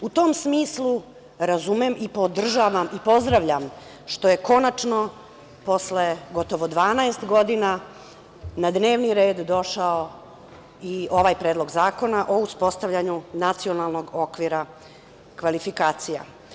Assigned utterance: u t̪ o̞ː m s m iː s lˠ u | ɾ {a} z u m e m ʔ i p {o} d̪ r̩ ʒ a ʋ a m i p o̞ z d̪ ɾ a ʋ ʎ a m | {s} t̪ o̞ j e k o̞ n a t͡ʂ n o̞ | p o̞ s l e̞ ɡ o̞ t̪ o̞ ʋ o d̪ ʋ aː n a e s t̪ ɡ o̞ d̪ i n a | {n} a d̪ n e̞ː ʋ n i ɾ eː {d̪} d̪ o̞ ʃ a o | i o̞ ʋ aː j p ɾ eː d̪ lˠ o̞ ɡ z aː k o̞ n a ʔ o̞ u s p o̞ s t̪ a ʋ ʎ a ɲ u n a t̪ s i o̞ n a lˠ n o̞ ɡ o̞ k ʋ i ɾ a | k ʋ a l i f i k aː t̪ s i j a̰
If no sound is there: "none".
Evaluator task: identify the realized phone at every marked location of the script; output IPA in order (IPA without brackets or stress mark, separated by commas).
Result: a, o, ʃ, n, d̪